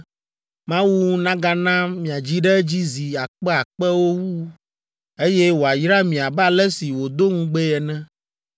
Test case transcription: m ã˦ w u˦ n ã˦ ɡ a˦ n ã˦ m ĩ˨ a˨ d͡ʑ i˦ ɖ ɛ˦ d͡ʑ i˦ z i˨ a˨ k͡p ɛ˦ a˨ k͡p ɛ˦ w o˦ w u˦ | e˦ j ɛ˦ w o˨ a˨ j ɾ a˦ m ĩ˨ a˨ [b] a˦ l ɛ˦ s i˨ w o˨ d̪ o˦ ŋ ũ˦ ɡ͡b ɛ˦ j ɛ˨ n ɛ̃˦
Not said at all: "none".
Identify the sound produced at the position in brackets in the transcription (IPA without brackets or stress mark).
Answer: b